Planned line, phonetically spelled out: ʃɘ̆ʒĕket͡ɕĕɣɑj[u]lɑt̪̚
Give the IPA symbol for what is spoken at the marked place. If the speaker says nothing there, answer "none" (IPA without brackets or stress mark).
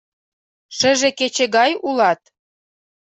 u